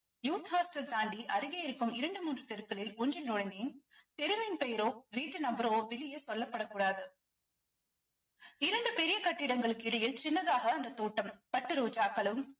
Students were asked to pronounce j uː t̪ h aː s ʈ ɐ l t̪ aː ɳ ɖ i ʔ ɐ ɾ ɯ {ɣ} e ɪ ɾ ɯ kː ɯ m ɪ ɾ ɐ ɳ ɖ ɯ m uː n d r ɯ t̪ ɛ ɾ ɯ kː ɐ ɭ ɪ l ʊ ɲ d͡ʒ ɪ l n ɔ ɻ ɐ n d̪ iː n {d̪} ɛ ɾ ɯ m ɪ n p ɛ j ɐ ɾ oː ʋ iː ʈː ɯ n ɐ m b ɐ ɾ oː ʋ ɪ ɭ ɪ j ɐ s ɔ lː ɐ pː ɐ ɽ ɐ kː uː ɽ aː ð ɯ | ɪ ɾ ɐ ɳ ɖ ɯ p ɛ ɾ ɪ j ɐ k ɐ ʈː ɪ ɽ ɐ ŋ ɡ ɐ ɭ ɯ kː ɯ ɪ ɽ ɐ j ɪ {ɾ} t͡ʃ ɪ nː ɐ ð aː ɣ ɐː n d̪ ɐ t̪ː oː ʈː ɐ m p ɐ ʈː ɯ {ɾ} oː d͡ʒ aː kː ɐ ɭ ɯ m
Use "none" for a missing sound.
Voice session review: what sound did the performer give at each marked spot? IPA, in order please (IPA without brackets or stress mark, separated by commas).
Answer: ɣ, t̪, l, ɾ